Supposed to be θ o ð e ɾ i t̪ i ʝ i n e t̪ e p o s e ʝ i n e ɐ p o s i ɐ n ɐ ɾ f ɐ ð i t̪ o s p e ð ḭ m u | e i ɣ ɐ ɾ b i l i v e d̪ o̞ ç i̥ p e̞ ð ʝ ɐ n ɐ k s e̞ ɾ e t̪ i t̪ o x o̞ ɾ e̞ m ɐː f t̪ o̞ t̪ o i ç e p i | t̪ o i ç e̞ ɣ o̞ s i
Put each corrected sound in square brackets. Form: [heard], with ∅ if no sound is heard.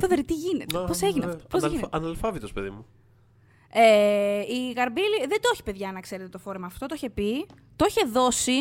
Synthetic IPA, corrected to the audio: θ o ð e ɾ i t̪ i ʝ i n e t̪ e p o s e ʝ i n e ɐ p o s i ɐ n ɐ [l] f ɐ [v] i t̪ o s p e ð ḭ m u | e i ɣ ɐ ɾ b i l i [ð] e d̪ o̞ ç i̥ p e̞ ð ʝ ɐ n ɐ k s e̞ ɾ e t̪ [e] t̪ o [f] o̞ ɾ e̞ m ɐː f t̪ o̞ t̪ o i ç e p i | t̪ o i ç e̞ [ð] o̞ s i